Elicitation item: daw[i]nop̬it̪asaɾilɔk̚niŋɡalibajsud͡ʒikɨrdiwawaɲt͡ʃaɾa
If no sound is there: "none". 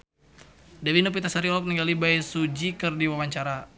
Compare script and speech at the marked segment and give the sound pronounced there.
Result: i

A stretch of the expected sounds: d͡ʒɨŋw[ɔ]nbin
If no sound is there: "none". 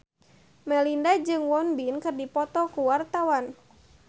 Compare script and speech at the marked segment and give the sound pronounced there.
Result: ɔ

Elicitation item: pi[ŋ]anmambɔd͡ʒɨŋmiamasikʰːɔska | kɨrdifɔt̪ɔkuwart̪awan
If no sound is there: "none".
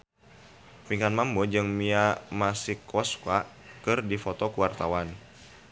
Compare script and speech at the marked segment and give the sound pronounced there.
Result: ŋ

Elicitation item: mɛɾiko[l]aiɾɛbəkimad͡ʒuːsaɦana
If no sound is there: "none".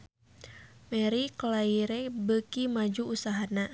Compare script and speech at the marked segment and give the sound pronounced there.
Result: l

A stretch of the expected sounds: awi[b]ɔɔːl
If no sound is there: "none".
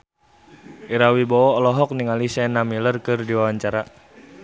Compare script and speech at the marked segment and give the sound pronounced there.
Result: b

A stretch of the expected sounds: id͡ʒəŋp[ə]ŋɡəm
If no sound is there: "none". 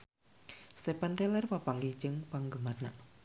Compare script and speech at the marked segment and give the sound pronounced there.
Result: a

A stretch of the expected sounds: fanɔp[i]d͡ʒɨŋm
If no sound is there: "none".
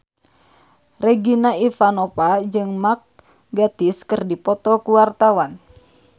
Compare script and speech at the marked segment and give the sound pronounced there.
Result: a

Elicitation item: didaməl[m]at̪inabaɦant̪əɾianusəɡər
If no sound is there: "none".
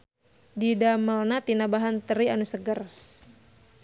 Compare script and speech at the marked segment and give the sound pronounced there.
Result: n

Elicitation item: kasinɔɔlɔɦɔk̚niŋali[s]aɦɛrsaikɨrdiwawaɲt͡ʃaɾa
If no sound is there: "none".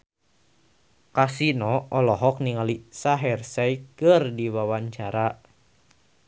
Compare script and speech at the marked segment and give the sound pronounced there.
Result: s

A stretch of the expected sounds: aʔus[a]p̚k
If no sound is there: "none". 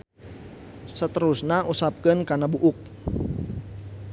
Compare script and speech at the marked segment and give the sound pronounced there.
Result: a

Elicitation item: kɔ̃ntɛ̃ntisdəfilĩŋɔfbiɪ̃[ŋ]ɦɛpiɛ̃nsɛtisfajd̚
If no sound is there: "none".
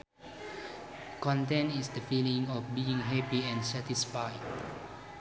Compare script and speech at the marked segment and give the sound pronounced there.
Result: ŋ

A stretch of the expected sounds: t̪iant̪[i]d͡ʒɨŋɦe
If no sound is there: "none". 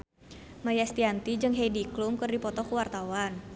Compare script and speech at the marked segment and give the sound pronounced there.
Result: i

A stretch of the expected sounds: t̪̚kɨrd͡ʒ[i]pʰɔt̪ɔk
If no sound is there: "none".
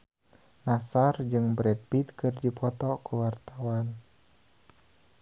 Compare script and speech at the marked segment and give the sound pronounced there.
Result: i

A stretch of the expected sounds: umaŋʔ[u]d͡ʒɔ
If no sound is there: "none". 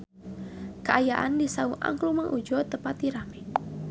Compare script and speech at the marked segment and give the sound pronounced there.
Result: u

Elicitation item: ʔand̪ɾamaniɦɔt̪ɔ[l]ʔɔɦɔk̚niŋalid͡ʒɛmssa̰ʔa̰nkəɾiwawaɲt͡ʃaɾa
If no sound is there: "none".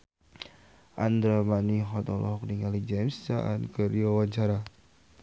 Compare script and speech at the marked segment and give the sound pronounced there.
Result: l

